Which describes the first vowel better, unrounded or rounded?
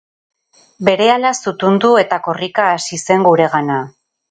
unrounded